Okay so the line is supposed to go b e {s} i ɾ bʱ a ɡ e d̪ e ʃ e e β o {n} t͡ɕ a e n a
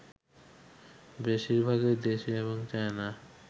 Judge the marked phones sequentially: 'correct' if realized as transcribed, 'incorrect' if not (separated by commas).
incorrect, incorrect